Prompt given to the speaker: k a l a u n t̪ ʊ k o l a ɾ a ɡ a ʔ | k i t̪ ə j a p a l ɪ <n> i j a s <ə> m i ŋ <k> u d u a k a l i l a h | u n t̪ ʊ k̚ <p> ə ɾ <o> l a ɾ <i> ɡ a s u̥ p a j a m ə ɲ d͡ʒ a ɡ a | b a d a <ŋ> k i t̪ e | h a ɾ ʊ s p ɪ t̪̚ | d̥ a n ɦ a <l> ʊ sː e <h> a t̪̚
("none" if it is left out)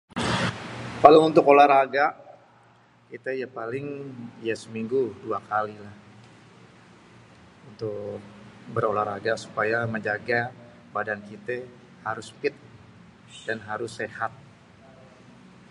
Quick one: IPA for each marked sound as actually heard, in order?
ŋ, ə, ɡ, b, o, a, n, ɾ, h

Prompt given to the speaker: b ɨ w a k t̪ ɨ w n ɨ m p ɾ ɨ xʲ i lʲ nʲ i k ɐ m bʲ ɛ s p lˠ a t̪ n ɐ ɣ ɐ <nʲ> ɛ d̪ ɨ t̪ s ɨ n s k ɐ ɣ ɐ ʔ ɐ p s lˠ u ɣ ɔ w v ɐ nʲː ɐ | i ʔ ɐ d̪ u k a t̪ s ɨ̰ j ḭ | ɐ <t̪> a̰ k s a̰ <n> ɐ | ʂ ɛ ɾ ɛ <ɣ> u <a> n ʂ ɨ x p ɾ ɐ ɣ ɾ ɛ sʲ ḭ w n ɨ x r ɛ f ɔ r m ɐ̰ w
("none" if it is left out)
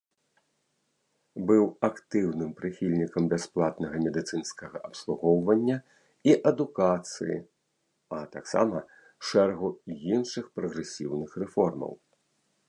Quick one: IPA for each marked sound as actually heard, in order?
mʲ, t̪, m, ɣ, i

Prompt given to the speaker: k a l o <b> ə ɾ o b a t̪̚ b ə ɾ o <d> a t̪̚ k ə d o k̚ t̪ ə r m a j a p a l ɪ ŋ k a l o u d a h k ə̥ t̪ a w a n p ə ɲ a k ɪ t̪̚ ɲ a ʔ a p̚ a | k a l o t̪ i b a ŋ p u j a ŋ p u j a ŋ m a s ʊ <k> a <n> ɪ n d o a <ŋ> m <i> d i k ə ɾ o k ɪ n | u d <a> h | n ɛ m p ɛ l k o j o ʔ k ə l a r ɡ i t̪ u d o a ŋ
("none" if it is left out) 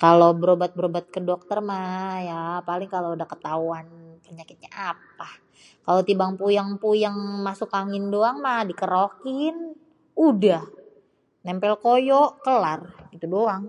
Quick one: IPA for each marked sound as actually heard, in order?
b, b, k, ŋ, ŋ, a, a

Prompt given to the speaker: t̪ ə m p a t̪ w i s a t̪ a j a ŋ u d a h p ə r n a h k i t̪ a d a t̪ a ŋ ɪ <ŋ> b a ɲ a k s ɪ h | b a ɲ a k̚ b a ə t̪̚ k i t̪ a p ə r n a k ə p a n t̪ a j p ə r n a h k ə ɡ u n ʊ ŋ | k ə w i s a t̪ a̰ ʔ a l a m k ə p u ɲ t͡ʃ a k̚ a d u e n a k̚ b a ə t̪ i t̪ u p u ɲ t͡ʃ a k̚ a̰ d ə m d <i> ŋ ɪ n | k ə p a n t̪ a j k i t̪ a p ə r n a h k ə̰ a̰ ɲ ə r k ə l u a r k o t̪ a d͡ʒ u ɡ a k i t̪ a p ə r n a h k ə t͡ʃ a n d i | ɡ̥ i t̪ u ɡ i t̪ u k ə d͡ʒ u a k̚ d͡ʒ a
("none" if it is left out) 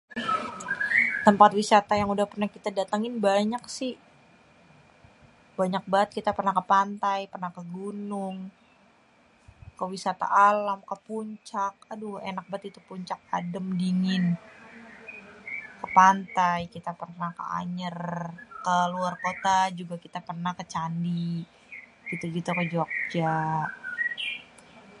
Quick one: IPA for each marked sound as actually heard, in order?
n, i

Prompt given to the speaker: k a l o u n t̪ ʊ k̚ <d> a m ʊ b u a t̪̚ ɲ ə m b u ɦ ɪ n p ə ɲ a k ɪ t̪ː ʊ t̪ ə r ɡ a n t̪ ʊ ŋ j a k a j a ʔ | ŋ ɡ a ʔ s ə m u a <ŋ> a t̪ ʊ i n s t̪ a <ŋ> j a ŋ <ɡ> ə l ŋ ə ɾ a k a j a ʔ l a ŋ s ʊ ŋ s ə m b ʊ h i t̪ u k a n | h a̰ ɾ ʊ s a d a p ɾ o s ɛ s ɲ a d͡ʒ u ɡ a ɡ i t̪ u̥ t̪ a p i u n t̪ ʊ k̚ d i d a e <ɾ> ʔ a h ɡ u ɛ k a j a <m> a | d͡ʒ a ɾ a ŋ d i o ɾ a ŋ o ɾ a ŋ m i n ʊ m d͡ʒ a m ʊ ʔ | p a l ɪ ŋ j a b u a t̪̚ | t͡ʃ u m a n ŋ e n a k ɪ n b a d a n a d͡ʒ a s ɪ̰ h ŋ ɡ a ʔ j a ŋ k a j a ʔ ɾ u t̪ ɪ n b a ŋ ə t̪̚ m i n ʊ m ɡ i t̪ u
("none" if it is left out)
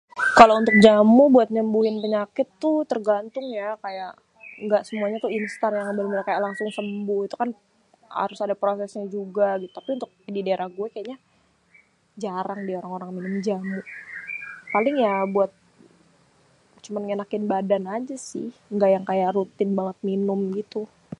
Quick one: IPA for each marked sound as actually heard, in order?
d͡ʒ, ɲ, n, b, ɾ, ɲ

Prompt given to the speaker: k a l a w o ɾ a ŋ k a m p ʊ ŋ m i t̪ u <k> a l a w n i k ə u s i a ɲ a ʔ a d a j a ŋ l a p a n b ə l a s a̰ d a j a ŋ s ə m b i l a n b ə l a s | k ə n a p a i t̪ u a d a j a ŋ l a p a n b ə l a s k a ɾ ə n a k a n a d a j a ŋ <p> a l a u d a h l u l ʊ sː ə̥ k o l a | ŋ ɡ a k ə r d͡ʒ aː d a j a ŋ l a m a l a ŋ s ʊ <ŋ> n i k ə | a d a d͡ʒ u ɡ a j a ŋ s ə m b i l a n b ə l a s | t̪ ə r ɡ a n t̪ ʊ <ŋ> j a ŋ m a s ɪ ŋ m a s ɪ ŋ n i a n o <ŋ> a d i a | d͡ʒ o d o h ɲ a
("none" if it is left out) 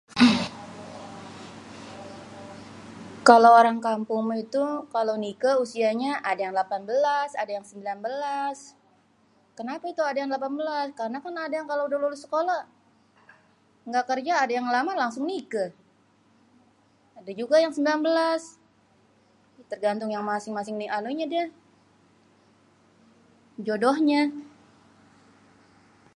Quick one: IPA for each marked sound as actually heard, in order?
k, k, ŋ, ŋ, ɲ

